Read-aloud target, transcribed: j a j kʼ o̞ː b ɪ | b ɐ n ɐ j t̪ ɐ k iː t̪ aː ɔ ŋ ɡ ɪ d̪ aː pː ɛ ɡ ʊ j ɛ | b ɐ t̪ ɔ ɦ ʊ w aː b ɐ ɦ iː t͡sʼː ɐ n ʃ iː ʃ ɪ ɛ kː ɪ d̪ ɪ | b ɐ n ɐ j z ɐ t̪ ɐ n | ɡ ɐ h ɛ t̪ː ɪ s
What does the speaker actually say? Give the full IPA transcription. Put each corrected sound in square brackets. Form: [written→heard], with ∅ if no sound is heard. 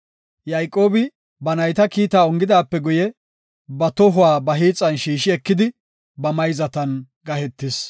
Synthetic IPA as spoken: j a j kʼ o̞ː b ɪ | b ɐ n ɐ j t̪ ɐ k iː t̪ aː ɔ ŋ ɡ ɪ d̪ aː pː ɛ ɡ ʊ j ɛ | b ɐ t̪ ɔ ɦ ʊ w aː b ɐ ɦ iː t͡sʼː ɐ n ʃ iː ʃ ɪ ɛ kː ɪ d̪ ɪ | b ɐ [n→m] ɐ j z ɐ t̪ ɐ n | ɡ ɐ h ɛ t̪ː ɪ s

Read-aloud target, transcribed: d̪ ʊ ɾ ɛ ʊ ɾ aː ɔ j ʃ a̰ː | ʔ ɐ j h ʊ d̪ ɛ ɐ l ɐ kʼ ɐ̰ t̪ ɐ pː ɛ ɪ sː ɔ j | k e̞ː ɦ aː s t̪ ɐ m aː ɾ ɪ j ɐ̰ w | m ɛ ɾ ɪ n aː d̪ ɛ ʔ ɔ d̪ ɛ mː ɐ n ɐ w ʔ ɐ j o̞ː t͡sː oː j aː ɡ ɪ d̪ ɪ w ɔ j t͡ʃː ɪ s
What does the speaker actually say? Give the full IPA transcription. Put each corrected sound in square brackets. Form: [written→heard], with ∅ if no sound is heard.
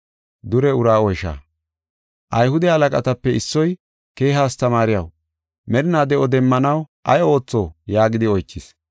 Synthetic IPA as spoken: d̪ ʊ ɾ ɛ ʊ ɾ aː ɔ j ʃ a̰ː | ʔ ɐ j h ʊ d̪ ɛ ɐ l ɐ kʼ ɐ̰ t̪ ɐ pː ɛ ɪ sː ɔ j | k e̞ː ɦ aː s t̪ ɐ m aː ɾ ɪ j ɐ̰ w | m ɛ ɾ ɪ n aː d̪ ɛ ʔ ɔ d̪ ɛ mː ɐ n ɐ w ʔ ɐ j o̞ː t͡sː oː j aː ɡ ɪ d̪ ɪ [w→∅] ɔ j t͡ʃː ɪ s

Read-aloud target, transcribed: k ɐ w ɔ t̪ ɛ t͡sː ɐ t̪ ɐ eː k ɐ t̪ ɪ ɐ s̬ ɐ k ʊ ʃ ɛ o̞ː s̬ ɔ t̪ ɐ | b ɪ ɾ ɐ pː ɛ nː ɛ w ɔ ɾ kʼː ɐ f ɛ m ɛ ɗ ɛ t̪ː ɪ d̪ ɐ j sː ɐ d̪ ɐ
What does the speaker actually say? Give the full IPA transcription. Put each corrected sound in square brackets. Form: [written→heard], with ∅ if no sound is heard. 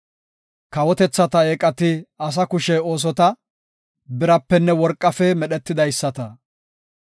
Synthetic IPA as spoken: k ɐ w ɔ t̪ ɛ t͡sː ɐ t̪ ɐ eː [k→kʼ] ɐ t̪ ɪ ɐ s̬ ɐ k ʊ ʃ ɛ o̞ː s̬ ɔ t̪ ɐ | b ɪ ɾ ɐ pː ɛ nː ɛ w ɔ ɾ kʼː ɐ f ɛ m ɛ ɗ ɛ t̪ː ɪ d̪ ɐ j sː ɐ [d̪→t̪] ɐ

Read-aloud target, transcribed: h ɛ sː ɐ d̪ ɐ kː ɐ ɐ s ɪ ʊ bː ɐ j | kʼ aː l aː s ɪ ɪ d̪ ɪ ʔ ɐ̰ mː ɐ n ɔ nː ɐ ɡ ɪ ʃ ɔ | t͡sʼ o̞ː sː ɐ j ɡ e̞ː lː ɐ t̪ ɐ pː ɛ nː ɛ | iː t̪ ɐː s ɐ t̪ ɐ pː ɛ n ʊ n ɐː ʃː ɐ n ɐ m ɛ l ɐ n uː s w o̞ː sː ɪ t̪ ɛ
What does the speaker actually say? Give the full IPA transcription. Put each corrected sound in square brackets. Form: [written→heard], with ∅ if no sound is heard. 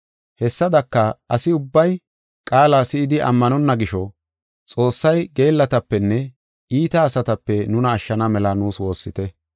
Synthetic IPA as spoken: h ɛ sː ɐ d̪ ɐ kː ɐ ɐ s ɪ ʊ bː ɐ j | kʼ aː l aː s ɪ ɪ d̪ ɪ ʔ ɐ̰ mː ɐ n ɔ nː ɐ ɡ ɪ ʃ ɔ | t͡sʼ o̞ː sː ɐ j ɡ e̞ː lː ɐ t̪ ɐ pː ɛ nː ɛ | iː t̪ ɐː s ɐ t̪ ɐ pː ɛ n ʊ n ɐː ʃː ɐ n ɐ m ɛ l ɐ n uː s w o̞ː sː ɪ t̪ ɛ

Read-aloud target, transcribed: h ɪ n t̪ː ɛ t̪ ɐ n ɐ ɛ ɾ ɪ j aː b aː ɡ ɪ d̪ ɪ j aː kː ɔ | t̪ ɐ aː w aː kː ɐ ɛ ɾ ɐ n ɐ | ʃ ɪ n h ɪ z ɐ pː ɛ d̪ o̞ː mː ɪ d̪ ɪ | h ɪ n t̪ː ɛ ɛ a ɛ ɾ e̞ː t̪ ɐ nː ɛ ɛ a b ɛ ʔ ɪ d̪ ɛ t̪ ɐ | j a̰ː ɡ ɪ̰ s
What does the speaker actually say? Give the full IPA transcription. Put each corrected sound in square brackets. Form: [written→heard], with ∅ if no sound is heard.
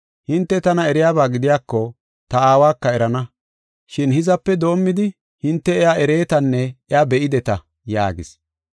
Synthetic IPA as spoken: h ɪ n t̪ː ɛ t̪ ɐ n ɐ ɛ ɾ ɪ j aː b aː ɡ ɪ d̪ ɪ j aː kː ɔ | t̪ ɐ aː w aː kː ɐ ɛ ɾ ɐ n ɐ | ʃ ɪ n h ɪ z ɐ pː ɛ d̪ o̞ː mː ɪ d̪ ɪ | h ɪ n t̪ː ɛ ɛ a ɛ ɾ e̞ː t̪ ɐ nː ɛ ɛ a b ɛ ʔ ɪ d̪ ɛ t̪ ɐ | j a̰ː ɡ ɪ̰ s

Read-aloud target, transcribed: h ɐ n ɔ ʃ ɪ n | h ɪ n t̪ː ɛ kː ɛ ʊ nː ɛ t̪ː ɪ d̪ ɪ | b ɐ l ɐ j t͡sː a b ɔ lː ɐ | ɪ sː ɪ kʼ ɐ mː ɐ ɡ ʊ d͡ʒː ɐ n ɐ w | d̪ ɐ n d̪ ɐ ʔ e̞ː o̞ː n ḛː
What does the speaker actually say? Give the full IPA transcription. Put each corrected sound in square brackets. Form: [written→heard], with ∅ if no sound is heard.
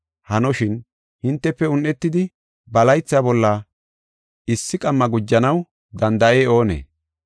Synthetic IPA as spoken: h ɐ n ɔ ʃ ɪ n | h ɪ n t̪ː ɛ [kː→pː] ɛ ʊ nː ɛ t̪ː ɪ d̪ ɪ | b ɐ l ɐ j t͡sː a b ɔ lː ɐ | ɪ sː ɪ kʼ ɐ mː ɐ ɡ ʊ d͡ʒː ɐ n ɐ w | d̪ ɐ n d̪ ɐ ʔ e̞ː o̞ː n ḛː

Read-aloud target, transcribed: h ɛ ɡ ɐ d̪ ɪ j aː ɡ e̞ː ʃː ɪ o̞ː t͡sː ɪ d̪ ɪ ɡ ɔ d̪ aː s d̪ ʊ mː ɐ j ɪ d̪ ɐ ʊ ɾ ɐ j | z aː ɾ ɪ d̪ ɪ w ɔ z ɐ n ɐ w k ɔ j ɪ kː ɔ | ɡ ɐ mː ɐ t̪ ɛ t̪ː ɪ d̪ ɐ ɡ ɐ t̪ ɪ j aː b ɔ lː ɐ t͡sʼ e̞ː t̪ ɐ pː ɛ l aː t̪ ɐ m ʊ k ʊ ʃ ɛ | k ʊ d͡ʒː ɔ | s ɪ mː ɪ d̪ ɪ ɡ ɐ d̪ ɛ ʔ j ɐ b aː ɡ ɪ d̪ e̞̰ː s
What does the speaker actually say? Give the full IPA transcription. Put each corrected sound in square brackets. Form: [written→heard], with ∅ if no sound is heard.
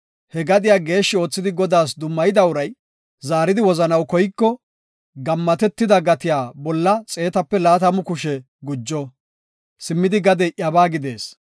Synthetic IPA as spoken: h ɛ ɡ ɐ d̪ ɪ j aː ɡ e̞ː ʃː ɪ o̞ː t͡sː ɪ d̪ ɪ ɡ ɔ d̪ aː s d̪ ʊ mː ɐ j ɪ d̪ ɐ ʊ ɾ ɐ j | z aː ɾ ɪ d̪ ɪ w ɔ z ɐ n ɐ w k ɔ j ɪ kː ɔ | ɡ ɐ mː ɐ t̪ ɛ t̪ː ɪ d̪ ɐ ɡ ɐ t̪ ɪ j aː b ɔ lː ɐ t͡sʼ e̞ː t̪ ɐ pː ɛ l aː t̪ ɐ m ʊ k ʊ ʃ ɛ | [k→ɡ] ʊ d͡ʒː ɔ | s ɪ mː ɪ d̪ ɪ ɡ ɐ d̪ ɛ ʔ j ɐ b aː ɡ ɪ d̪ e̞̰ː s

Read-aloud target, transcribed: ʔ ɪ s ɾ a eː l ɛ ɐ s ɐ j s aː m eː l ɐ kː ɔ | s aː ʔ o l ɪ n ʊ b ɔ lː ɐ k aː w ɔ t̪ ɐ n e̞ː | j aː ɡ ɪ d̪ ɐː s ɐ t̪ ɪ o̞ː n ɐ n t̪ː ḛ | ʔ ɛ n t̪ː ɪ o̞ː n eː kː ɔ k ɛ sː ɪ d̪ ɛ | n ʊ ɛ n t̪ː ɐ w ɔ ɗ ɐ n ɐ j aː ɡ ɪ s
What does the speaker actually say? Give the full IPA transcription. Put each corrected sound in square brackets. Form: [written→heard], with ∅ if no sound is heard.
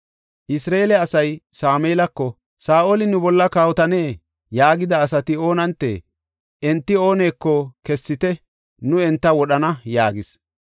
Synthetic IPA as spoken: ʔ ɪ s ɾ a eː l ɛ ɐ s ɐ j s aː m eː l ɐ kː ɔ | s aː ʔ o l ɪ n ʊ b ɔ lː ɐ k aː w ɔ t̪ ɐ n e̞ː | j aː ɡ ɪ d̪ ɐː s ɐ t̪ ɪ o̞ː n ɐ n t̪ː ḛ | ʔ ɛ n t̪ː ɪ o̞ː n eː kː ɔ k ɛ sː ɪ [d̪→t̪] ɛ | n ʊ ɛ n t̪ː ɐ w ɔ ɗ ɐ n ɐ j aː ɡ ɪ s

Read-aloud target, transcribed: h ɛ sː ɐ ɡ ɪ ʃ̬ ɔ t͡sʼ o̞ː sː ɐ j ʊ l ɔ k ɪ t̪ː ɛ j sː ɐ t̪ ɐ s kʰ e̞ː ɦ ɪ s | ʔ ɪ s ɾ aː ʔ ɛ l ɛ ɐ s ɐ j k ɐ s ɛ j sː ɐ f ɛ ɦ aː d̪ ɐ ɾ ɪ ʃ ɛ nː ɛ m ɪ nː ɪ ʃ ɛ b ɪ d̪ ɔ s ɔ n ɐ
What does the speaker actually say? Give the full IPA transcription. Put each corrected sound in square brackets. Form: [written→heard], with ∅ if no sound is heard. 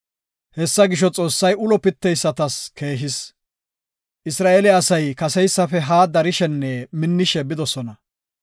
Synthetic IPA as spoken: h ɛ sː ɐ ɡ ɪ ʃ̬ ɔ t͡sʼ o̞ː sː ɐ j ʊ l ɔ [k→p] ɪ t̪ː ɛ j sː ɐ t̪ ɐ s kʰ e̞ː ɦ ɪ s | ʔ ɪ s ɾ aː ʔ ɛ l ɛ ɐ s ɐ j k ɐ s ɛ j sː ɐ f ɛ ɦ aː d̪ ɐ ɾ ɪ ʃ ɛ nː ɛ m ɪ nː ɪ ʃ ɛ b ɪ d̪ ɔ s ɔ n ɐ

